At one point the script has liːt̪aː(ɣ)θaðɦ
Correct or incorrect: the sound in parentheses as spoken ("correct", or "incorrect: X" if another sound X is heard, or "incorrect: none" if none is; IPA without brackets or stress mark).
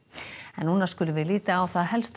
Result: incorrect: w